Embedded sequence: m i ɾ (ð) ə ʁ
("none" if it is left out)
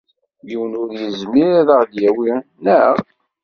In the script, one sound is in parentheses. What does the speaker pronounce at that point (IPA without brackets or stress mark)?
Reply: ð